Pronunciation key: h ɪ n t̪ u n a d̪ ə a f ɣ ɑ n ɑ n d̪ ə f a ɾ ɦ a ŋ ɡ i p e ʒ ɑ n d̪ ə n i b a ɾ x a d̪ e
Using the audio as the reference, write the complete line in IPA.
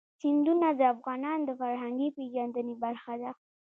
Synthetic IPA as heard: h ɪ n d̪ u n a d̪ ə a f ɣ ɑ n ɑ n d̪ ə f a ɾ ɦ a ŋ ɡ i p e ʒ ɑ n d̪ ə n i b a ɾ x a d̪ a